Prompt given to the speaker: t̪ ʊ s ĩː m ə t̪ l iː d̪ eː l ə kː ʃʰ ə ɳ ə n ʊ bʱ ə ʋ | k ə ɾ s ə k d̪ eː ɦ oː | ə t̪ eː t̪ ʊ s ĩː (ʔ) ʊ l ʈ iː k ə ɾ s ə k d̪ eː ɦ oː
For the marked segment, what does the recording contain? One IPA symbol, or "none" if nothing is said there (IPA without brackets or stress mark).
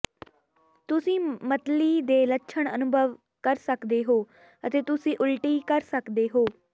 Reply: ʔ